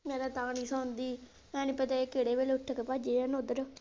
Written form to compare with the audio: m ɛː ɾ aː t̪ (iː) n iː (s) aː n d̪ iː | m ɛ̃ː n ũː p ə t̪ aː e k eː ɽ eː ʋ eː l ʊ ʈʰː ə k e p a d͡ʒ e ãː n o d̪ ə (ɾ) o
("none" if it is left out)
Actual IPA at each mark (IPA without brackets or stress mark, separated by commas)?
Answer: aː, s, ɾ